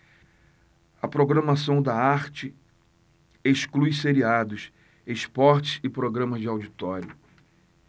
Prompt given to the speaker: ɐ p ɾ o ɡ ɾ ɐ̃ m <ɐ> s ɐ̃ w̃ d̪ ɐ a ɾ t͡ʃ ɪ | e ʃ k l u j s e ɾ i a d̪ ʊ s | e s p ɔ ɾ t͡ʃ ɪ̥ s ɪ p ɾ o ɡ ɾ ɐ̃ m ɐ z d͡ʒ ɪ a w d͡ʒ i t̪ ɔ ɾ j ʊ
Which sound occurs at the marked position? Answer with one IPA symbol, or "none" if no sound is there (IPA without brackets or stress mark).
a